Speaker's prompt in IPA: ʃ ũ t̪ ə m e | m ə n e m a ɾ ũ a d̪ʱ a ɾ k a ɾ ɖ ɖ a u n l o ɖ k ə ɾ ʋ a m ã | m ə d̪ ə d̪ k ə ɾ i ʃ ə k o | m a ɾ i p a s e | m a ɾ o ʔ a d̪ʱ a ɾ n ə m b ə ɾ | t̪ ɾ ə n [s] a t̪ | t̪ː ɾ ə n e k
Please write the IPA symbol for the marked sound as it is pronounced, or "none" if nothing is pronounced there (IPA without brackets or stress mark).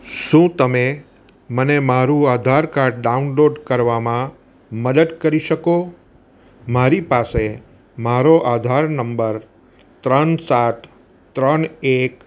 s